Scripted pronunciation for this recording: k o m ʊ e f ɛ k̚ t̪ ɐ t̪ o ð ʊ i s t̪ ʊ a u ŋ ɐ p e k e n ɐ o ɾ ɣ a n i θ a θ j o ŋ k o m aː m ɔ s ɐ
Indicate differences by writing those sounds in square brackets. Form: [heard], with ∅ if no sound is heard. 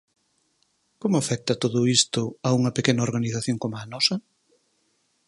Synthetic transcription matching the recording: k o m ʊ [a] f ɛ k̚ t̪ ɐ t̪ o ð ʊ i s t̪ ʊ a u ŋ ɐ p e k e n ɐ o ɾ ɣ a n i θ a θ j o ŋ k o m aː [n] ɔ s ɐ